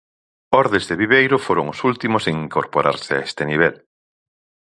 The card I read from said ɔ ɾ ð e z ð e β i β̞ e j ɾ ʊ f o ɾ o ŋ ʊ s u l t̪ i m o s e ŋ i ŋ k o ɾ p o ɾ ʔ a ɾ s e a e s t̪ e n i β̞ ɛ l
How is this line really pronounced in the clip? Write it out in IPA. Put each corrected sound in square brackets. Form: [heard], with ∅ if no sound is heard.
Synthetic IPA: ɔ ɾ ð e z ð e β i β̞ e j ɾ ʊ f o ɾ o ŋ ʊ s u l t̪ i m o s e ŋ i ŋ k o ɾ p o ɾ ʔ a ɾ s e a e s t̪ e n i β̞ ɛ l

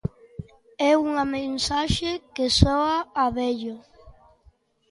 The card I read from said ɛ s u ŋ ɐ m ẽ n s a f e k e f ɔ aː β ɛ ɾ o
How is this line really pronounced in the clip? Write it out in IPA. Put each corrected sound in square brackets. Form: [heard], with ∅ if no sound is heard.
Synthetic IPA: ɛ [∅] u ŋ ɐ m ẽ n s a [ʃ] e k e [s] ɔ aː β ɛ [ʎ] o

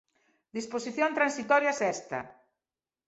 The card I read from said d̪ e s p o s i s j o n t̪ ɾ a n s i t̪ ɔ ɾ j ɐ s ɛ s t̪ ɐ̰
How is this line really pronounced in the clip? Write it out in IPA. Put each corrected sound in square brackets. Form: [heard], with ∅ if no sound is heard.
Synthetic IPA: d̪ [i] s p o s i [θ] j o n t̪ ɾ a n s i t̪ ɔ ɾ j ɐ s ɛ s t̪ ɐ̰

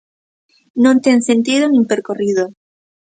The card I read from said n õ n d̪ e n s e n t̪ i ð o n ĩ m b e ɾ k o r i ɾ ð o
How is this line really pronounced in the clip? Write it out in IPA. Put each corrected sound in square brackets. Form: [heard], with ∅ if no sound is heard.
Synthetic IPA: n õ n [t̪] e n s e n t̪ i ð o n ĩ m [p] e ɾ k o r i [∅] ð o

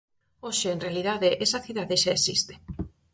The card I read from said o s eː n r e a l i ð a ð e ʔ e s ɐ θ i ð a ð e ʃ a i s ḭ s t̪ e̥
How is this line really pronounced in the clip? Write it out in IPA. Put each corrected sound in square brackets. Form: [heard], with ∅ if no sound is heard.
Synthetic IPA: o [ʃ] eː n r e a l i ð a ð e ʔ e s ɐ θ i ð a ð e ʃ a [e] s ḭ s t̪ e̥

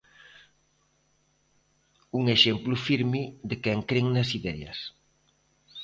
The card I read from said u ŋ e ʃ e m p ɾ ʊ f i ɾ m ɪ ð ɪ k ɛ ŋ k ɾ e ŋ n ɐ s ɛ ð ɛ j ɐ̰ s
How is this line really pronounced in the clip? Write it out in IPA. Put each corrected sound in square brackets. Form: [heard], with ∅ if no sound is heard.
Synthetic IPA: u ŋ e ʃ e m p [l] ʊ f i ɾ m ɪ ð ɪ k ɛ ŋ k ɾ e ŋ n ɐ s [i] ð ɛ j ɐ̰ s

